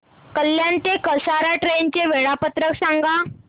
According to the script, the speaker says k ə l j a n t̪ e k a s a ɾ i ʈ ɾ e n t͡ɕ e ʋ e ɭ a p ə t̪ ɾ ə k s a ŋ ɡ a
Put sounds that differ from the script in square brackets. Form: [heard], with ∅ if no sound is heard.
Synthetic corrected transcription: k ə l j a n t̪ e k [ə] s a ɾ [a] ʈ ɾ e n t͡ɕ e ʋ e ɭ a p ə t̪ ɾ ə k s a ŋ ɡ a